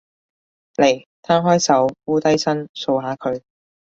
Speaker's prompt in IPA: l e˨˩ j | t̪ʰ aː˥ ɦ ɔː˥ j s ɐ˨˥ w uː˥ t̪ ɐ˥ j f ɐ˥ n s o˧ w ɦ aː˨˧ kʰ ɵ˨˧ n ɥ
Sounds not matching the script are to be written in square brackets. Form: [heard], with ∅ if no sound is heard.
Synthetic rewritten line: l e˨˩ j | t̪ʰ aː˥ ɦ ɔː˥ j s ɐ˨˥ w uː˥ t̪ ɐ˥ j [s] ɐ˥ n s o˧ w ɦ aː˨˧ kʰ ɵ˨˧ [∅] ɥ